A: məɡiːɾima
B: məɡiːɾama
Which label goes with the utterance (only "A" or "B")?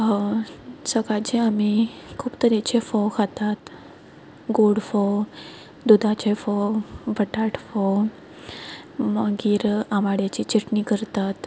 B